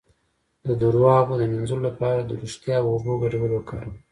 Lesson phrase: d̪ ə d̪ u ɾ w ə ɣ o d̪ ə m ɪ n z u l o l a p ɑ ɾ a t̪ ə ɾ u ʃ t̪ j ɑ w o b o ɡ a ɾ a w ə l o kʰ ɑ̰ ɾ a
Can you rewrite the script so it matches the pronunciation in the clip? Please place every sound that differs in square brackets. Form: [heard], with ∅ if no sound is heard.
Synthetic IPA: d̪ ə d̪ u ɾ w [ɑ] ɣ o d̪ ə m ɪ n z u l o l a p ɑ ɾ a [d̪] ə ɾ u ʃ t̪ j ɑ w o b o ɡ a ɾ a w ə l o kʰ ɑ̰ ɾ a